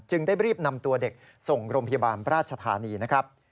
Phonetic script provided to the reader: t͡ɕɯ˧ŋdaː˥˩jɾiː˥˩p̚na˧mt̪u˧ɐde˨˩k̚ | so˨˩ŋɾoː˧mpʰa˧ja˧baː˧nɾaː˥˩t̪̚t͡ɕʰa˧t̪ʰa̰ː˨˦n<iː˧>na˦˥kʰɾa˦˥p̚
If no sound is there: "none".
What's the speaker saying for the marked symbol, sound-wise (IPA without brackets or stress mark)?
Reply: iː˧